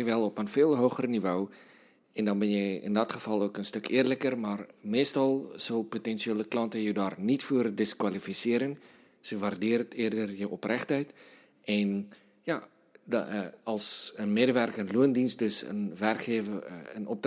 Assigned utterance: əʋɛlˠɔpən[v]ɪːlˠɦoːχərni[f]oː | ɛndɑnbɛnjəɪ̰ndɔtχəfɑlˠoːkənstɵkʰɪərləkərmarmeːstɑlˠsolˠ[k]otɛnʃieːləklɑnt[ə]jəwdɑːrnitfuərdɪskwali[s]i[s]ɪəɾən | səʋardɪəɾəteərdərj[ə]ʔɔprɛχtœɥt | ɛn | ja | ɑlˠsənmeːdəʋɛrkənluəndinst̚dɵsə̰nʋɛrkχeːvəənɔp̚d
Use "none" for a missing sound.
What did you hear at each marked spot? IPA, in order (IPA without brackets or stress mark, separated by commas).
f, v, p, ə, f, s, ə